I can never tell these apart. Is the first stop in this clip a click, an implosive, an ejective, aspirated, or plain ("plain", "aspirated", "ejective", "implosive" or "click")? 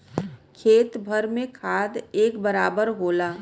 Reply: aspirated